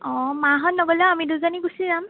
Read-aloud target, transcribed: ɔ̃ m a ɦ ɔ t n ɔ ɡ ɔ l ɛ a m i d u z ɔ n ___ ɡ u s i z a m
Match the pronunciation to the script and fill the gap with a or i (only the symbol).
i